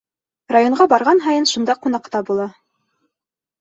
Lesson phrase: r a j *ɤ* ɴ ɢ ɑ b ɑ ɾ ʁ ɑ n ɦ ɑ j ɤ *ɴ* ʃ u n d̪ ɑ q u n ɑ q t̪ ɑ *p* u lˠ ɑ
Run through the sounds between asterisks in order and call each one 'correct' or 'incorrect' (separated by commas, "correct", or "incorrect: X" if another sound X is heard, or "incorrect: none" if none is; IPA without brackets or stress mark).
incorrect: o, incorrect: n, incorrect: b